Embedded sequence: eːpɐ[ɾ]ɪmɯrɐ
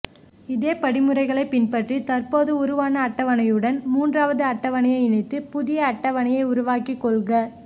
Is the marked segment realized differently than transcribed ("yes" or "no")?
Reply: yes